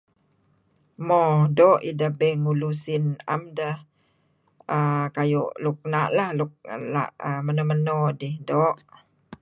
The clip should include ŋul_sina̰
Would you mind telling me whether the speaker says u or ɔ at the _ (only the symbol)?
u